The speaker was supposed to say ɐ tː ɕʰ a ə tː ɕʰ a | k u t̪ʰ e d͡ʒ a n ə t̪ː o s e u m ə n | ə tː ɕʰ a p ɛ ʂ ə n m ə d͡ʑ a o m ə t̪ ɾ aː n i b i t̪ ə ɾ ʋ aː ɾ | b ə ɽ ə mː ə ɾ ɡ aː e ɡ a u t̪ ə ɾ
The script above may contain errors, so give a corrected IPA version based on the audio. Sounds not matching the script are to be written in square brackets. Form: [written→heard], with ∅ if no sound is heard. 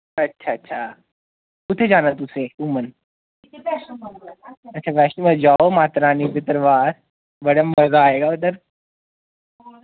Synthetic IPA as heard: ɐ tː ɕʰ a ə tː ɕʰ a | k u t̪ʰ e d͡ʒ a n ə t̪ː [o→u] s e u m ə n | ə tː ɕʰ a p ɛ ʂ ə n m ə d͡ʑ a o m [ə→a] t̪ ɾ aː n i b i t̪ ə ɾ ʋ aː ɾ | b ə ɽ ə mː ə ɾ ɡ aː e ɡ a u t̪ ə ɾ